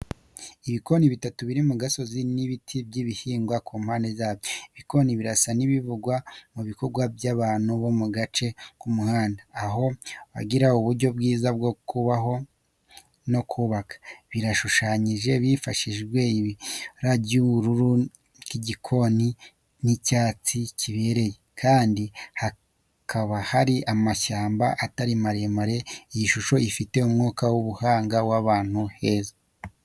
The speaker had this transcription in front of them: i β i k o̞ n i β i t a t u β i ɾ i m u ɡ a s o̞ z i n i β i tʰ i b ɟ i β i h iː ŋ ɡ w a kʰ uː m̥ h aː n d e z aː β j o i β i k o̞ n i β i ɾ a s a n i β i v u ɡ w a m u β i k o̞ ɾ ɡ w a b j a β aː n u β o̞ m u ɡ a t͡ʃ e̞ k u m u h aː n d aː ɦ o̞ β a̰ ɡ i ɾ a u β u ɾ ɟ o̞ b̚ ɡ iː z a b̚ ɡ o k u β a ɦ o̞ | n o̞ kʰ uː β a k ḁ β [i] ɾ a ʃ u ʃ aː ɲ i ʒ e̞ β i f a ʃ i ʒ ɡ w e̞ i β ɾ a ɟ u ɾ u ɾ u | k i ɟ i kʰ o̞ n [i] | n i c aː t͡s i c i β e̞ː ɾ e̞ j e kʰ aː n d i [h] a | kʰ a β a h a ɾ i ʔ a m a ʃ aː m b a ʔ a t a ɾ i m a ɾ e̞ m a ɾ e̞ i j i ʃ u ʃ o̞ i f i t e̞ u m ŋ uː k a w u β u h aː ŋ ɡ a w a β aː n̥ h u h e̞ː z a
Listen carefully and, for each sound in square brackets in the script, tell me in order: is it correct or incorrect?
correct, correct, correct

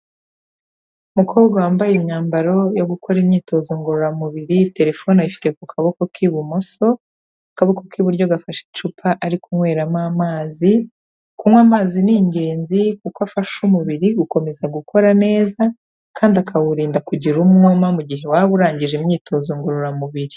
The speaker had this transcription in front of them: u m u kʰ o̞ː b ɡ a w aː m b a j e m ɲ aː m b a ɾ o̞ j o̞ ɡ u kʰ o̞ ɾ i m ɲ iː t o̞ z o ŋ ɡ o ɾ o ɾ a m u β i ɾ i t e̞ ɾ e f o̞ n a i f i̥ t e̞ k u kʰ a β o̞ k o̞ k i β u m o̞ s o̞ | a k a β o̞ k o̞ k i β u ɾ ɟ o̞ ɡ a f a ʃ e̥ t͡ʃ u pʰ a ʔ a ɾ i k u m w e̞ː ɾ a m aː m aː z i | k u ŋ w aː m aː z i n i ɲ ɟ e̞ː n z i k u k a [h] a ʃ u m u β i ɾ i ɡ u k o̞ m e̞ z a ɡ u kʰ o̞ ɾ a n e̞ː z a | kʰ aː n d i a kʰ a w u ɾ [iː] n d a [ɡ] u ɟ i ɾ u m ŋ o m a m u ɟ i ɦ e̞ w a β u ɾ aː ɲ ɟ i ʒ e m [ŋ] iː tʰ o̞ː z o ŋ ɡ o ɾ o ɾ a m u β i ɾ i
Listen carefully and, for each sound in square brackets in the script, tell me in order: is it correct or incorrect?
incorrect: f, correct, incorrect: k, incorrect: ɲ

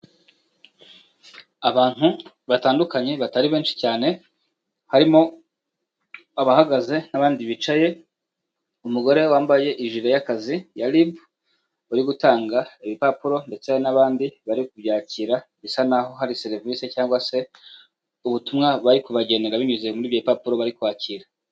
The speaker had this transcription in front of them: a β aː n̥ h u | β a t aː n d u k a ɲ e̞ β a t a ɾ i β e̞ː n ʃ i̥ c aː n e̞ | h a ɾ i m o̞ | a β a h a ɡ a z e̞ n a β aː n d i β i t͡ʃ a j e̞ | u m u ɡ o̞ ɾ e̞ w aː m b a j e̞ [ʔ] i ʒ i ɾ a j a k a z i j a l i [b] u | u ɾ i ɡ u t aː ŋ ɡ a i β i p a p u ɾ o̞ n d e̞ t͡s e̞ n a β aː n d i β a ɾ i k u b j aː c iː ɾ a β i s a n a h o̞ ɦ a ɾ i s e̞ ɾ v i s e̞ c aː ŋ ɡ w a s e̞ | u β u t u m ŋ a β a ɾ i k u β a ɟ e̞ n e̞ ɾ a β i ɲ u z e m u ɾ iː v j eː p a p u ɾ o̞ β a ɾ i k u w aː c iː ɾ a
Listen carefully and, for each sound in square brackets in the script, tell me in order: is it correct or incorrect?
correct, correct

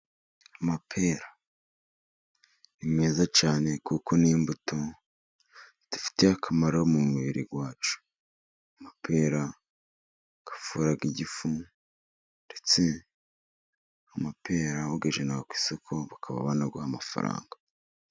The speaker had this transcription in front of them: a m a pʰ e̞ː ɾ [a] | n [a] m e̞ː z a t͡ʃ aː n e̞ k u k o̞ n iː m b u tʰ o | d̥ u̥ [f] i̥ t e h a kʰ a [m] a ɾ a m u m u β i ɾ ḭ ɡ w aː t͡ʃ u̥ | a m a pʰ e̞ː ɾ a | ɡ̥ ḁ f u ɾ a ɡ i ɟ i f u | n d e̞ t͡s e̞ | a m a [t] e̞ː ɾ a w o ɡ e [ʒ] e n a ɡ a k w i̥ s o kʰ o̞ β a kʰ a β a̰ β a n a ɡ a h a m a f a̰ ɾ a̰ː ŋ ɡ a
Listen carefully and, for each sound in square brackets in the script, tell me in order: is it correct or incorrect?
correct, incorrect: i, correct, correct, incorrect: p, correct

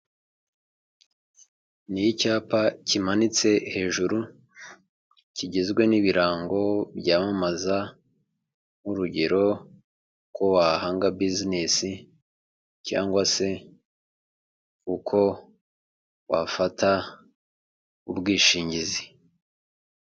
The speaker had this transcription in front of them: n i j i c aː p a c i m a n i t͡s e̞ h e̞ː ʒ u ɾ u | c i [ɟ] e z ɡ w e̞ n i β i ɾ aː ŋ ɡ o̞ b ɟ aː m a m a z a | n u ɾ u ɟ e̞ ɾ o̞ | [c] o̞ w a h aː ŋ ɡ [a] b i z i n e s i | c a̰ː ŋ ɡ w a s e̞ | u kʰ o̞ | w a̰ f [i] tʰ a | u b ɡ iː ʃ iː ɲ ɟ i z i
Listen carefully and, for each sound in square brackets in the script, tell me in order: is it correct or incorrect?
correct, incorrect: k, correct, incorrect: a

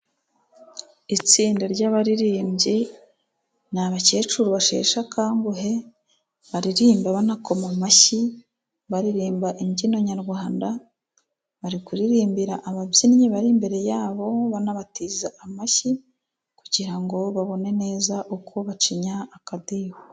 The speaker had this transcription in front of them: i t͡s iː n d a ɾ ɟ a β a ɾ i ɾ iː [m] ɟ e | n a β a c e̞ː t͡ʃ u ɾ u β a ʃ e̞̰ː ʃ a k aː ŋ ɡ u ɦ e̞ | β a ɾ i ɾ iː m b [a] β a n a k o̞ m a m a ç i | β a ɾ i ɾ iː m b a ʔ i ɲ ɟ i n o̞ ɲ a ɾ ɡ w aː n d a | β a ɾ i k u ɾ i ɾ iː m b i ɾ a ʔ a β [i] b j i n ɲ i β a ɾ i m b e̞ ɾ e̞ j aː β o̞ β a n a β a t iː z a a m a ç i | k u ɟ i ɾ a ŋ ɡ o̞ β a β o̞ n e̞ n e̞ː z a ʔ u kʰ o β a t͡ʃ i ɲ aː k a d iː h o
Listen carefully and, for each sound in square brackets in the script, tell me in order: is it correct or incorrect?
correct, correct, incorrect: a

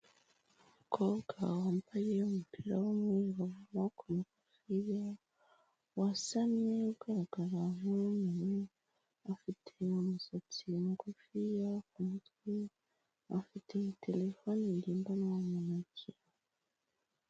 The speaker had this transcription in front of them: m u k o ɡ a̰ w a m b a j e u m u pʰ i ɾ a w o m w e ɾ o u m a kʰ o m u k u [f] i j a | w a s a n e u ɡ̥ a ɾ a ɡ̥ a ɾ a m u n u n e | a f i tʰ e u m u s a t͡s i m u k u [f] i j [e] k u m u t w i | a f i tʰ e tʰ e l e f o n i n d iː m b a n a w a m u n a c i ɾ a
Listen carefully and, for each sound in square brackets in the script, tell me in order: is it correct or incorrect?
correct, correct, incorrect: a

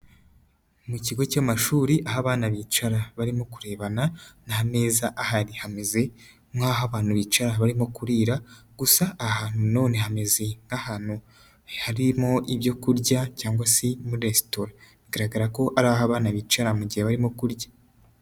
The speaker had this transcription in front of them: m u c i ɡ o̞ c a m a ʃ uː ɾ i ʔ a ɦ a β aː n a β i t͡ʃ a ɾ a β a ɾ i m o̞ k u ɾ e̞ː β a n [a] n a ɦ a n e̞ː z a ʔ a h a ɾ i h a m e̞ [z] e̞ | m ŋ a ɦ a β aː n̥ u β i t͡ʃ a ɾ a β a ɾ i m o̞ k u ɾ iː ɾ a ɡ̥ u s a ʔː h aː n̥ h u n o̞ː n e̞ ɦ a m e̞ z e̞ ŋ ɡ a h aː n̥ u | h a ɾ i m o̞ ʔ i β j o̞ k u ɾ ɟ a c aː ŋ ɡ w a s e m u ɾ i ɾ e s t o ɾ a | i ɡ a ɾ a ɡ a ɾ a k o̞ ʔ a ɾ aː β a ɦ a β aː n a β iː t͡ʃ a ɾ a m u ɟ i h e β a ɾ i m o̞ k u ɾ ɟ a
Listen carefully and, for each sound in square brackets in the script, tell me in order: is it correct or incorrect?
correct, correct

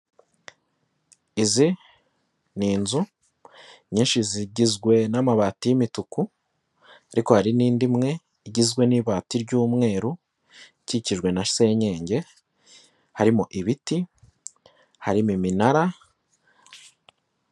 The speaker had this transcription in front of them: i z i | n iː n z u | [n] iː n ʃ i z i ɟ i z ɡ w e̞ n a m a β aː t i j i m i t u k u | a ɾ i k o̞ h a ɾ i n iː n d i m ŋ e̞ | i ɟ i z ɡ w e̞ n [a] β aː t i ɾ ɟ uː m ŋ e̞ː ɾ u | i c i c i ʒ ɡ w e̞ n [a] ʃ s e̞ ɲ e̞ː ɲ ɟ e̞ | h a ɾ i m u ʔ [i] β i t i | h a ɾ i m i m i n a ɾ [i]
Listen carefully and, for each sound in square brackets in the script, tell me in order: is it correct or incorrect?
incorrect: ɲ, incorrect: i, correct, correct, incorrect: a

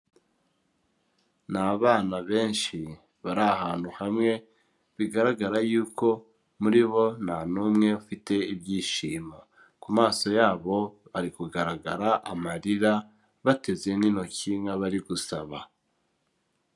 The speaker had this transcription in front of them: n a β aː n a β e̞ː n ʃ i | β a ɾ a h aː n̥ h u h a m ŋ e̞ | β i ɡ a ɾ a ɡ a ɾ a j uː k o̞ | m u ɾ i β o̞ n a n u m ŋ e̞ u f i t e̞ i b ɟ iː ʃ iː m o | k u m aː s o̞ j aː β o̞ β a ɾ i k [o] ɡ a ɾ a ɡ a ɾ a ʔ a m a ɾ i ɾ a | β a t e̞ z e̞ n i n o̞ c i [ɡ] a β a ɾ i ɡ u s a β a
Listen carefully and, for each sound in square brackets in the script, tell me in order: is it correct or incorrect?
incorrect: u, incorrect: ŋ

